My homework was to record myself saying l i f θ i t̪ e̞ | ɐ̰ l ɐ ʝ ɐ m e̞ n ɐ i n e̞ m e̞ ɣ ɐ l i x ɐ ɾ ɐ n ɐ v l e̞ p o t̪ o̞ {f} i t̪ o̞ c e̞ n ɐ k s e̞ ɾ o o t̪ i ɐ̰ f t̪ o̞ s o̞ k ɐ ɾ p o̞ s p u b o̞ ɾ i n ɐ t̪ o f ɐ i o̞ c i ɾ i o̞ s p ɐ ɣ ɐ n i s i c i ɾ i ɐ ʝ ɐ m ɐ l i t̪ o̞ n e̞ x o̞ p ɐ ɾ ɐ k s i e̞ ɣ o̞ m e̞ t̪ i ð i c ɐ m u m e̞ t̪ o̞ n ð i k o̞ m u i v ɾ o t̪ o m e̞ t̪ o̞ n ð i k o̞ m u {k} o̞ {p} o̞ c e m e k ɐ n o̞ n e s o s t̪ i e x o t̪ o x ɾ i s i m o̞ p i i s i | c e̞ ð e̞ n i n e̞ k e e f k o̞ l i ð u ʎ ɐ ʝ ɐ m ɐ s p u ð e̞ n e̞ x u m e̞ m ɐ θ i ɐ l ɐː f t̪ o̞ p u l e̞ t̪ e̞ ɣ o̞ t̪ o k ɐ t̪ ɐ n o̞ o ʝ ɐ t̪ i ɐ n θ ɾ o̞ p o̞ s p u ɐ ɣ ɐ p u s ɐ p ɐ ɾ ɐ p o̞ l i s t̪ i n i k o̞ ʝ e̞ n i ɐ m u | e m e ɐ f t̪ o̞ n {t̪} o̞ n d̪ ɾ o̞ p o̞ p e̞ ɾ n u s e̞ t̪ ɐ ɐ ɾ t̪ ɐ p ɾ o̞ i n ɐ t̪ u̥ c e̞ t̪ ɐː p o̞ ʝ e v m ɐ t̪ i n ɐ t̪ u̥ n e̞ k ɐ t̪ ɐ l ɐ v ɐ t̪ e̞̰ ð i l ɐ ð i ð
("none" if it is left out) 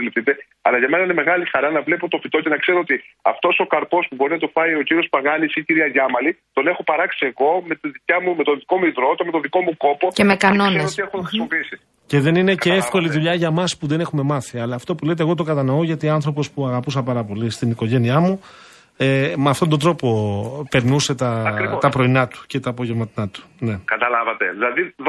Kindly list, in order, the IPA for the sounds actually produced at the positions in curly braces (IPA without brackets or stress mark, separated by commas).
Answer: f, k, p, d̪